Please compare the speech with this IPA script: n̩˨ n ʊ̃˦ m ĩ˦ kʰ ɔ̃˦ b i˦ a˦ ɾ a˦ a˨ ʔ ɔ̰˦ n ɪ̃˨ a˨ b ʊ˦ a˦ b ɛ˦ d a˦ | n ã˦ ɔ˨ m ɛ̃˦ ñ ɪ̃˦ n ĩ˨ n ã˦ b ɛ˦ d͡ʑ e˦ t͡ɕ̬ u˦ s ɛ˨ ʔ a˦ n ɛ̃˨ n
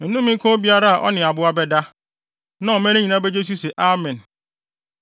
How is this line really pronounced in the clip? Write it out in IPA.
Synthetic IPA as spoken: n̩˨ n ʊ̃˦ m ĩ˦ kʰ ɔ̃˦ b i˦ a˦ ɾ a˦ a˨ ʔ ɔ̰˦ n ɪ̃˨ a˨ b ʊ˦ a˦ b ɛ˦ d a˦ | n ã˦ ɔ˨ m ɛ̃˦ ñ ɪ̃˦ ɲ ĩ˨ n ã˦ b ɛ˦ d͡ʑ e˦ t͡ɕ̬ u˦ s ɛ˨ ʔ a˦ m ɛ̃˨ n